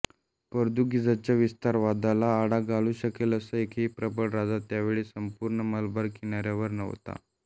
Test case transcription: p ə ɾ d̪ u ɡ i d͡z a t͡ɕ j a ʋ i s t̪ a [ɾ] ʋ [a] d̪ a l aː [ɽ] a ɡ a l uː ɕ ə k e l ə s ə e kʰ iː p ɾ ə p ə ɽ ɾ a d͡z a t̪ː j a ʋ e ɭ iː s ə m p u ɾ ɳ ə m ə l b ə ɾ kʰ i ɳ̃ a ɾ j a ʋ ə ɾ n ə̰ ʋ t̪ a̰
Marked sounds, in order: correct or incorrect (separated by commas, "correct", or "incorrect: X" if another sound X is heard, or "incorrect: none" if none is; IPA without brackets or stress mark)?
correct, correct, correct